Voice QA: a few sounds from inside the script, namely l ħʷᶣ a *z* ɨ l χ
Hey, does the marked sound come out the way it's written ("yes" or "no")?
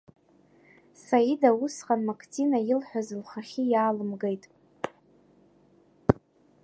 yes